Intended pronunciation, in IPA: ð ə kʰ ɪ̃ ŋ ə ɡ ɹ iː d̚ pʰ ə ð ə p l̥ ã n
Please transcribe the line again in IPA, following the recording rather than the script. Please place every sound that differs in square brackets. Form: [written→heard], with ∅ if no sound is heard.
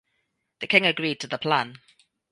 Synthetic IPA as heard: ð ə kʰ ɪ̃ ŋ ə ɡ ɹ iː d̚ [pʰ→tʰ] ə ð ə [p→pʰ] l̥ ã n